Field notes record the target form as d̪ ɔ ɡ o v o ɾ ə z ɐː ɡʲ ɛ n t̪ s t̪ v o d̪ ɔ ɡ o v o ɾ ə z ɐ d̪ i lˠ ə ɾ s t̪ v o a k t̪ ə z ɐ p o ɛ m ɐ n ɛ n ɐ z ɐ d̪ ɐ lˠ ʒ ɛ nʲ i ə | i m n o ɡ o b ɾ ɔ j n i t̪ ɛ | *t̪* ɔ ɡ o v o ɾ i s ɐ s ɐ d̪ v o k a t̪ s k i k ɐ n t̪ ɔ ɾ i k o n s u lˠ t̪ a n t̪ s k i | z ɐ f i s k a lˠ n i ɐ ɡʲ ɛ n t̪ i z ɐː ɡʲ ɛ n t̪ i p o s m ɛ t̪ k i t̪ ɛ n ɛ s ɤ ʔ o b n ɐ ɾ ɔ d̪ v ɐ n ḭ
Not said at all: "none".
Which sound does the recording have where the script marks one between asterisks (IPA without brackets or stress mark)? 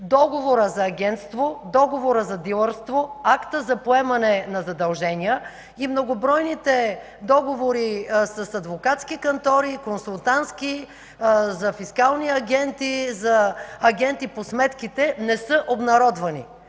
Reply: d̪